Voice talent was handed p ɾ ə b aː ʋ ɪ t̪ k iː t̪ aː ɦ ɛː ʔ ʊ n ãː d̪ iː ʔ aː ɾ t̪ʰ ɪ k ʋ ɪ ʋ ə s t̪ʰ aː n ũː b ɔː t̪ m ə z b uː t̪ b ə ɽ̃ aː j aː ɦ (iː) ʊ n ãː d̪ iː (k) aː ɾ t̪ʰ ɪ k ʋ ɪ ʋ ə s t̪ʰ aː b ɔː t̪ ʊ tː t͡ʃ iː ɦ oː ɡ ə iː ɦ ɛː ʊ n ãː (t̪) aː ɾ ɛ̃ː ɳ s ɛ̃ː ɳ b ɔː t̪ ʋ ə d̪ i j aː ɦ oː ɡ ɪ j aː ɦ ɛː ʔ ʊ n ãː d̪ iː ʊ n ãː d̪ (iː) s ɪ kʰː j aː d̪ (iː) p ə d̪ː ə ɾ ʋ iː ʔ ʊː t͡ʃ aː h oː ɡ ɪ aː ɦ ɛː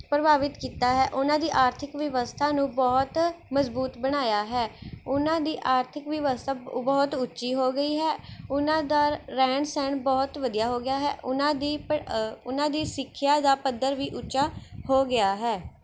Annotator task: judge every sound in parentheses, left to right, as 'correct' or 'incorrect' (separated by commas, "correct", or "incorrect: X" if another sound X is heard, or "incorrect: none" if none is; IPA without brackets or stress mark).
incorrect: ɛː, incorrect: ʔ, incorrect: d̪, correct, incorrect: aː